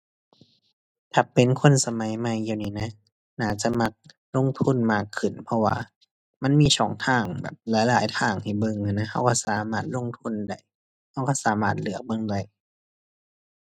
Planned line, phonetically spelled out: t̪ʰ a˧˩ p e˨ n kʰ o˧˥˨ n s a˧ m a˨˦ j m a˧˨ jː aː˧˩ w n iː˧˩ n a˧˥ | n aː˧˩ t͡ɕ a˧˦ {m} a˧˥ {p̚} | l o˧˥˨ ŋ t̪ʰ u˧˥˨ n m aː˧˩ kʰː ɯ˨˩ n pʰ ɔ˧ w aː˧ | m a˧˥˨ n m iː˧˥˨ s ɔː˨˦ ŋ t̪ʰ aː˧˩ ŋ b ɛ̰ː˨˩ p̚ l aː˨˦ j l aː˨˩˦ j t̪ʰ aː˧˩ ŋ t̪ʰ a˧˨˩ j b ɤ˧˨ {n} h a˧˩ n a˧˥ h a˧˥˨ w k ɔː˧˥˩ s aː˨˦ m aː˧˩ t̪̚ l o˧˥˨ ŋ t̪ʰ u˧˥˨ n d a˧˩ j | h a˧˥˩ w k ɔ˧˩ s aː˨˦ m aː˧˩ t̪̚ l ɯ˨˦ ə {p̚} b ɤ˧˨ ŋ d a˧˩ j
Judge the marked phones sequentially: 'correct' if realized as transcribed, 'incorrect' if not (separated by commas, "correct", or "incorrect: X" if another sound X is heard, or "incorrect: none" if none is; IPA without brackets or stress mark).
correct, incorrect: k̚, incorrect: ŋ, incorrect: k̚